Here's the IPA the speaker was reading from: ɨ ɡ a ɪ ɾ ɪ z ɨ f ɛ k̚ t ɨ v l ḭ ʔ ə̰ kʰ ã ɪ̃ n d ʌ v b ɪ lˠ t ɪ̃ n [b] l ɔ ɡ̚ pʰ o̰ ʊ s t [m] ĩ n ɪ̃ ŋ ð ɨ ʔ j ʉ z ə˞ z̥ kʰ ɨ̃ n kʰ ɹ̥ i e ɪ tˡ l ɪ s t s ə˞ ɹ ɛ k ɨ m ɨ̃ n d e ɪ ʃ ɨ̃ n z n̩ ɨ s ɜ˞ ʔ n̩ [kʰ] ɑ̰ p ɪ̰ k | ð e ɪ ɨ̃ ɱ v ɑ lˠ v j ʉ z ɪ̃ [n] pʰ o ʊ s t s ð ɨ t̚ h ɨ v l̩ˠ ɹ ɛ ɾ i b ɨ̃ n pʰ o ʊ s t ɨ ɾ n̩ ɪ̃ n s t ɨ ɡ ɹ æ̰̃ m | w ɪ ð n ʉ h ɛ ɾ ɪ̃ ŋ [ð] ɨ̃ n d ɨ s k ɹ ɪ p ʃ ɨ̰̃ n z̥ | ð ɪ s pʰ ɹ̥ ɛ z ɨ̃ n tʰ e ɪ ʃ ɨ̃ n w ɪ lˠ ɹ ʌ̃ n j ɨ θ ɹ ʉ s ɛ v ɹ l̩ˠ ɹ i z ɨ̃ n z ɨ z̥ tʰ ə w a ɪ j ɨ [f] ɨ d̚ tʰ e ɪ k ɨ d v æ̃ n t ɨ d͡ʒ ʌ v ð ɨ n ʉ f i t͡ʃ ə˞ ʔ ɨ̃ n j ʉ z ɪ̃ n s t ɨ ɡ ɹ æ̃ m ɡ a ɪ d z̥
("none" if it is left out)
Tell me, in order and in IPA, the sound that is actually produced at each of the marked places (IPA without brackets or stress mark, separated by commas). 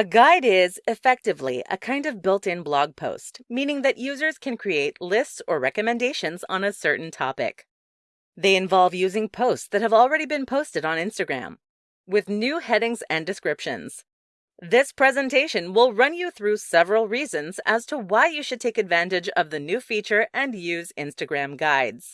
b, m, tʰ, ŋ, z, ʃ